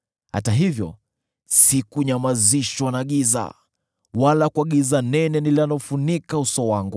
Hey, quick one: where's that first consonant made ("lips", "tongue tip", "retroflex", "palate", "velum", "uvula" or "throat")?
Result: throat